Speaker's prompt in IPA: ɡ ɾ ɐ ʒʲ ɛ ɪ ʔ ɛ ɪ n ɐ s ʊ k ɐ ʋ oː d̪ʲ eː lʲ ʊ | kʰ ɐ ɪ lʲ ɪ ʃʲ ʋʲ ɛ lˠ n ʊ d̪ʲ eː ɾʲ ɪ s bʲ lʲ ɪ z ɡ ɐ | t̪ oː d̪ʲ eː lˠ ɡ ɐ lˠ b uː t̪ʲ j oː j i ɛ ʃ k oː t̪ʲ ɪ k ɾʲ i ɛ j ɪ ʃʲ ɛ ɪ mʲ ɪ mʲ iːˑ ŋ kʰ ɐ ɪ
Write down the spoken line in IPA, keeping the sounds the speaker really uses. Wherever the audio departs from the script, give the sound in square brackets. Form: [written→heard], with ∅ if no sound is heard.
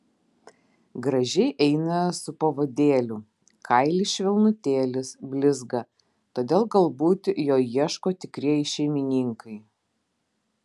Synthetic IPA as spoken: ɡ ɾ ɐ ʒʲ ɛ ɪ ʔ ɛ ɪ n ɐ s ʊ [k→p] ɐ ʋ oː d̪ʲ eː lʲ ʊ | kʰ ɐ ɪ lʲ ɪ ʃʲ ʋʲ ɛ lˠ n ʊ [d̪ʲ→t̪ʲ] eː [ɾʲ→lʲ] ɪ s bʲ lʲ ɪ z ɡ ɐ | t̪ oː d̪ʲ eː lˠ ɡ ɐ lˠ b uː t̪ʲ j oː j i ɛ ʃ k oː t̪ʲ ɪ k ɾʲ i ɛ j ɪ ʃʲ ɛ ɪ mʲ ɪ [mʲ→nʲ] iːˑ ŋ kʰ ɐ ɪ